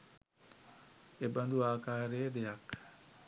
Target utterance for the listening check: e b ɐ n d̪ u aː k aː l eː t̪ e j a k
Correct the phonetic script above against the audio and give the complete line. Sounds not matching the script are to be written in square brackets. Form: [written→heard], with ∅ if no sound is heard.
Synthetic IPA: e b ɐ n d̪ u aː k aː [l→ɾ] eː [t̪→d̪] e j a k